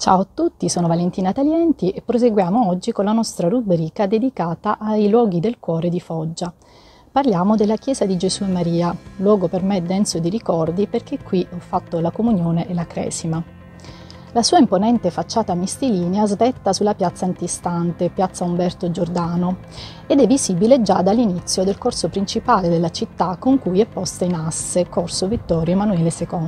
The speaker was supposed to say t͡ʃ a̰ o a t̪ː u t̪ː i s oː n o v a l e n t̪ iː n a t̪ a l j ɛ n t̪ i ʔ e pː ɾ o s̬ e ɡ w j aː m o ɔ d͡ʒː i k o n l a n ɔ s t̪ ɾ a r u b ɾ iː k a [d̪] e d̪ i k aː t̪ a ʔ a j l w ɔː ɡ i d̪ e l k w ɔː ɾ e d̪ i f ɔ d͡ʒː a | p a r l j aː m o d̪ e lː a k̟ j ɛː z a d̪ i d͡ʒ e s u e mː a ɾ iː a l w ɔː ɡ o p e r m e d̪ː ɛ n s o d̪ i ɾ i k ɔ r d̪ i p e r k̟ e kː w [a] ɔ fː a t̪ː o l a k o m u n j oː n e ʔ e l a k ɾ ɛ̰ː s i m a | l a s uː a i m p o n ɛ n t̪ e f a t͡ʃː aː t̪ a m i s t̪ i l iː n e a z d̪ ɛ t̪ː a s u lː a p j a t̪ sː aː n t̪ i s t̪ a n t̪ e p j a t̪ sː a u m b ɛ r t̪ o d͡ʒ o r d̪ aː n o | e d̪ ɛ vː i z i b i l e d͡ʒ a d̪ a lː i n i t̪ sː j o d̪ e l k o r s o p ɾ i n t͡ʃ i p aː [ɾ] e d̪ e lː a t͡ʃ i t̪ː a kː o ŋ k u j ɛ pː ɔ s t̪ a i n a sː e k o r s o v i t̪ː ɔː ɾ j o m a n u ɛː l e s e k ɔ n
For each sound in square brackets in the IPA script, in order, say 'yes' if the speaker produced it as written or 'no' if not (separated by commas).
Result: yes, no, no